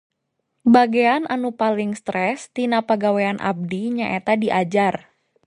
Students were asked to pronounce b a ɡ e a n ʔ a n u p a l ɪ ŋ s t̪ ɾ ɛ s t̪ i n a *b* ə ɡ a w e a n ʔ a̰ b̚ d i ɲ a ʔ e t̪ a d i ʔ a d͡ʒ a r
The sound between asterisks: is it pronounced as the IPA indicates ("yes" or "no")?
no